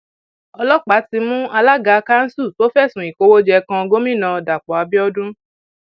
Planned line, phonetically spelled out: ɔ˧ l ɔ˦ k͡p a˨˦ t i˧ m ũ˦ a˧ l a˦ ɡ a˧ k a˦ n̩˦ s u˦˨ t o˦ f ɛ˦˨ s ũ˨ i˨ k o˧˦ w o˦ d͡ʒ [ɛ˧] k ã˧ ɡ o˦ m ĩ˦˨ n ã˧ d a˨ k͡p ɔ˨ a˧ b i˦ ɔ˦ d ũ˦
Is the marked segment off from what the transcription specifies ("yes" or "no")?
no